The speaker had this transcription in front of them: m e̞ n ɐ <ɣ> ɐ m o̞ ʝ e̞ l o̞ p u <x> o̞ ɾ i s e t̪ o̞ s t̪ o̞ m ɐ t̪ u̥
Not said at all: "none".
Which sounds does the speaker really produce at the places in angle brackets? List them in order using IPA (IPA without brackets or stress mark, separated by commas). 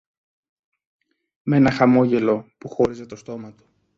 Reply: x, x